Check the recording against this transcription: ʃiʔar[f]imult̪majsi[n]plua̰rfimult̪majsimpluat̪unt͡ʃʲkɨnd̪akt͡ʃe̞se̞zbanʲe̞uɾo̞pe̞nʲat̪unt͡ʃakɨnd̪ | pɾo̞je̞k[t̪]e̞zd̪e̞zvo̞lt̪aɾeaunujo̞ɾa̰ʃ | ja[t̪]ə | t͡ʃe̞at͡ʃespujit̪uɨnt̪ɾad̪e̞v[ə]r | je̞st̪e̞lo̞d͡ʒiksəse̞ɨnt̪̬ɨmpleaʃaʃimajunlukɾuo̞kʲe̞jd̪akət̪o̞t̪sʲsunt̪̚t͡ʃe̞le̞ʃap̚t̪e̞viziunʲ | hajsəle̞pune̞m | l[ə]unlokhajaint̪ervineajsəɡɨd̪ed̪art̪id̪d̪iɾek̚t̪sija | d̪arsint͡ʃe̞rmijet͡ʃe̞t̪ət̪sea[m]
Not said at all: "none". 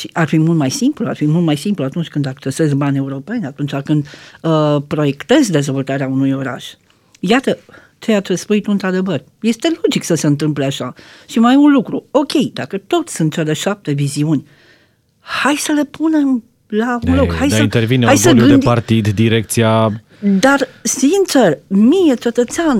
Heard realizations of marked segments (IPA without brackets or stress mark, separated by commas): f, m, t̪, t̪, ə, a, n